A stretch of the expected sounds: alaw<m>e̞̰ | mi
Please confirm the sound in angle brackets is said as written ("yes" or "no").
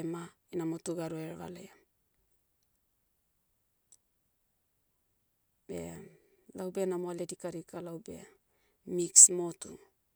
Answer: no